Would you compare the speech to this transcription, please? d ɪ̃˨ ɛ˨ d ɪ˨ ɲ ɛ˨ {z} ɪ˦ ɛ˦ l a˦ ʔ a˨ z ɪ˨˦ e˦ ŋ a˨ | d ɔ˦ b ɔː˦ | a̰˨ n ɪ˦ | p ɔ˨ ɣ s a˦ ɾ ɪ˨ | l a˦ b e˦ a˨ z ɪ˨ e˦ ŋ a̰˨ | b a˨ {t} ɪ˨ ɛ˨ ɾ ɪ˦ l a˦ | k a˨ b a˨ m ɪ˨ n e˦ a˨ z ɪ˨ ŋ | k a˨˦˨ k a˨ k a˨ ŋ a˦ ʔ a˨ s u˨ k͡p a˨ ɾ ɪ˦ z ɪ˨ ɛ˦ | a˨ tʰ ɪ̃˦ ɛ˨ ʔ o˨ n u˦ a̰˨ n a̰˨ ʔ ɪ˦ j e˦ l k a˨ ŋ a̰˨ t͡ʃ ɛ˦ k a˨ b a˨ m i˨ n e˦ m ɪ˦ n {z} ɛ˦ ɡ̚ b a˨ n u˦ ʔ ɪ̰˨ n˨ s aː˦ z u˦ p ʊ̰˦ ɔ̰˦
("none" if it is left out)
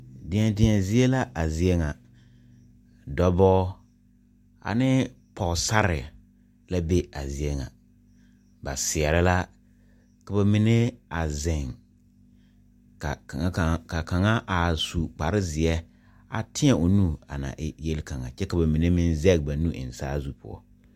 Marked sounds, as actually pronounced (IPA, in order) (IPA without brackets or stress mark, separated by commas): z, s, z